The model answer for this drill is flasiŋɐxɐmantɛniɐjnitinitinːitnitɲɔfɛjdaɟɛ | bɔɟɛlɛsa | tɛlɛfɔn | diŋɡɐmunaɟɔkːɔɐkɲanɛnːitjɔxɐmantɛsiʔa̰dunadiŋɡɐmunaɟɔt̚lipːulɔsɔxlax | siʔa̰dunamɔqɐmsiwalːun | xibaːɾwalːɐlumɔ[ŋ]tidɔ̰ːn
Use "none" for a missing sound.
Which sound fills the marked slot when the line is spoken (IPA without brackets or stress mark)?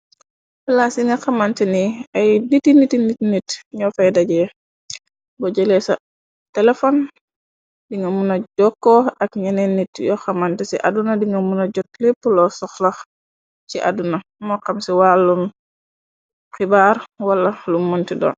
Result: n